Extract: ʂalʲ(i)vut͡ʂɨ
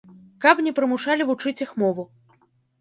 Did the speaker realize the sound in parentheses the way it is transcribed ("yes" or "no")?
yes